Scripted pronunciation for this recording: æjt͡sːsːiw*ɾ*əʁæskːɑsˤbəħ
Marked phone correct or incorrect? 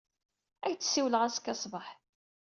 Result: incorrect